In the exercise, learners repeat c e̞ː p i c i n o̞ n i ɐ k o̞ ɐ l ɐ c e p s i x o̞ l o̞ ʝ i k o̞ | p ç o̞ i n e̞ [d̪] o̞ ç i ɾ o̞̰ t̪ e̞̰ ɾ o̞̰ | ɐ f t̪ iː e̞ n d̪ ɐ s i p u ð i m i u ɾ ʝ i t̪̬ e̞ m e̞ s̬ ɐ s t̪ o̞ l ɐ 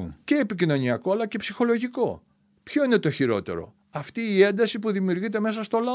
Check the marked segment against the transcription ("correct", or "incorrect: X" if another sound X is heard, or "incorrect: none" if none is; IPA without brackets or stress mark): incorrect: t̪